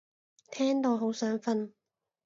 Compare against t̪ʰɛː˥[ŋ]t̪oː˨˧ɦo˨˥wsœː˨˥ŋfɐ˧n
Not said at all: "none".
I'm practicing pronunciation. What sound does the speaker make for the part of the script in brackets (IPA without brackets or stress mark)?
ŋ